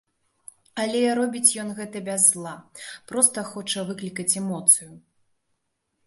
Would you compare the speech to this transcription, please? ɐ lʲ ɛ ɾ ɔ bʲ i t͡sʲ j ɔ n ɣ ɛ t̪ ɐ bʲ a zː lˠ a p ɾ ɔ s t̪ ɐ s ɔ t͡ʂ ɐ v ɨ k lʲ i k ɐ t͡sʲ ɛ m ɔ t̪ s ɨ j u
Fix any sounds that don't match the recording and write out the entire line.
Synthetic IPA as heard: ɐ lʲ ɛ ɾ ɔ bʲ i t͡sʲ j ɔ n ɣ ɛ t̪ ɐ bʲ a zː lˠ a p ɾ ɔ s t̪ ɐ x ɔ t͡ʂ ɐ v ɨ k lʲ i k ɐ t͡sʲ ɛ m ɔ t̪ s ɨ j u

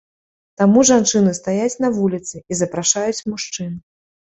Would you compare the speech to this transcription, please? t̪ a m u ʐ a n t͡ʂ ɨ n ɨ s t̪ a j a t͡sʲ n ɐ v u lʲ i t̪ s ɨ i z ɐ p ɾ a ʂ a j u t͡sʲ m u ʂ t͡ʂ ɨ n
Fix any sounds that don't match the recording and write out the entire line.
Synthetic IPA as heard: t̪ a m u ʐ a n t͡ʂ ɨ n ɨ s t̪ a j a t͡sʲ n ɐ v u lʲ i t̪ s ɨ i z ɐ p ɾ a ʂ a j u t͡sʲ m u ʂ t͡ʂ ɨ n

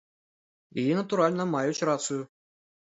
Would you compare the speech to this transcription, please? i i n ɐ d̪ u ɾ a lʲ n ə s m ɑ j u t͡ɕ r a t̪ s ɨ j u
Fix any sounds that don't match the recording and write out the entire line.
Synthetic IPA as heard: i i n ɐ t̪ u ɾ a lʲ n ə m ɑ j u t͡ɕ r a t̪ s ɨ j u

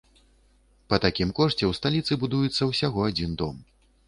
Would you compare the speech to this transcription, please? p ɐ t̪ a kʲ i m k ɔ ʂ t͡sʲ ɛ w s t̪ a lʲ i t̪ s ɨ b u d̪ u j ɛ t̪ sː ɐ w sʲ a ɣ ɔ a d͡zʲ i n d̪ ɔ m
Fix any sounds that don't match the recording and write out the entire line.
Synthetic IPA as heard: p ɐ t̪ a kʲ i m k ɔ ʂ t͡sʲ ɛ w s t̪ a lʲ i t̪ s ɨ b u d̪ u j ɛ t̪ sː ɐ w sʲ a ɣ ɔ a d͡zʲ i n d̪ ɔ m

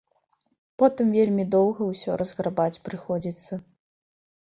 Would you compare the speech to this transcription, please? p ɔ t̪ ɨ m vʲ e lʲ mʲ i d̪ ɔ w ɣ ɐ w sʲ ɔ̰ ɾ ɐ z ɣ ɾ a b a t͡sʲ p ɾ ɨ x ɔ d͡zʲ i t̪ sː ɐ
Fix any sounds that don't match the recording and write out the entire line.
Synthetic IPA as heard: p ɔ t̪ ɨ m vʲ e lʲ mʲ i d̪ ɔ w ɣ ɐ w sʲ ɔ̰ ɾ ɐ z ɣ ɾ a b a t͡sʲ p ɾ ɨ x ɔ d͡zʲ i t̪ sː ɐ

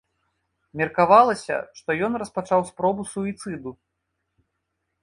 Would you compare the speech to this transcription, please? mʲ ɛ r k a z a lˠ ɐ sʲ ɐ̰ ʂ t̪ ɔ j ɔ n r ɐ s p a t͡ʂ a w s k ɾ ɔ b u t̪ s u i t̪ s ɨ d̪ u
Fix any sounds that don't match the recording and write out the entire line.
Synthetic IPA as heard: mʲ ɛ r k a v a lˠ ɐ sʲ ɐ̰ ʂ t̪ ɔ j ɔ n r ɐ s p a t͡ʂ a w s p ɾ ɔ b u s u i t̪ s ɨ d̪ u

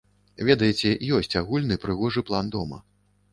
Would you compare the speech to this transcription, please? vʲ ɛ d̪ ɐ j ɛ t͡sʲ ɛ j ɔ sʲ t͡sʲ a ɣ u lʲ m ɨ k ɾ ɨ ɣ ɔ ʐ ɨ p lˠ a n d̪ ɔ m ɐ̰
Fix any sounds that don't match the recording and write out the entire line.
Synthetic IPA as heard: vʲ ɛ d̪ ɐ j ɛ t͡sʲ ɛ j ɔ sʲ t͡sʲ a ɣ u lʲ n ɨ p ɾ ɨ ɣ ɔ ʐ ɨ p lˠ a n d̪ ɔ m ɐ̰

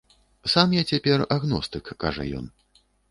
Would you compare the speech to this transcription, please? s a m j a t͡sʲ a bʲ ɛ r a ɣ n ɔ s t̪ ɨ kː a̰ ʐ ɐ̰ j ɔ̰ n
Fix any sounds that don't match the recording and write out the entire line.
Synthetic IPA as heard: s a m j a t͡sʲ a pʲ ɛ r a ɣ n ɔ s t̪ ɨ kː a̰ ʐ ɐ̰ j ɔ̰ n

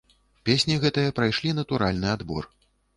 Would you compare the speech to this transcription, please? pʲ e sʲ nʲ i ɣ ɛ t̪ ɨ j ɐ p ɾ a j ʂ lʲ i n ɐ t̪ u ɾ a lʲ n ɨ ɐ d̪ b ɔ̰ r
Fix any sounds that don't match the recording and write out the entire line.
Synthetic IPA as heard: pʲ e sʲ nʲ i ɣ ɛ t̪ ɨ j ɐ p ɾ a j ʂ lʲ i n ɐ t̪ u ɾ a lʲ n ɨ a d̪ b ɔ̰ r

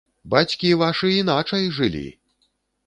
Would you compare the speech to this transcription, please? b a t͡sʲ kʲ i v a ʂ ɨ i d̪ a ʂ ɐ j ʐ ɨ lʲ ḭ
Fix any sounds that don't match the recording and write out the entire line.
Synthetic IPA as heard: b a t͡sʲ kʲ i v a ʂ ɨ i n̪ a t͡ʂ ɐ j ʐ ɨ lʲ ḭ

